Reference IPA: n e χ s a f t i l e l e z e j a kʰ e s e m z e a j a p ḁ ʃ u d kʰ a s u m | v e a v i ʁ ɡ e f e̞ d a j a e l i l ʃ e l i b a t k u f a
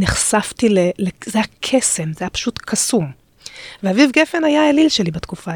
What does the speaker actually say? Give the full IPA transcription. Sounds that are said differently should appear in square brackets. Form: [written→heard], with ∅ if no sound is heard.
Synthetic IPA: n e χ s a f t i l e l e z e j a kʰ e s e m z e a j a p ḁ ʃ u [d→t] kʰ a s u m | v e a v i [ʁ→v] ɡ e f e̞ [d→n] a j a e l i l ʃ e l i b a t k u f a